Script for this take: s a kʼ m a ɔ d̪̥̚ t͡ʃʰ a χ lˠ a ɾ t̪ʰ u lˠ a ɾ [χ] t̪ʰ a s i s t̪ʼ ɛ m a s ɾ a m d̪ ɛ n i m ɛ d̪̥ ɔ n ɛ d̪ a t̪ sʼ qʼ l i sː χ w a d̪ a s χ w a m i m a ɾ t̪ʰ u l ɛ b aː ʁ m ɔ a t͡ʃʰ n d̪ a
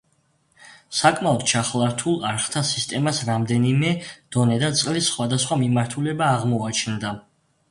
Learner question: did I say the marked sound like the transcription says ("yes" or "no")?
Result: yes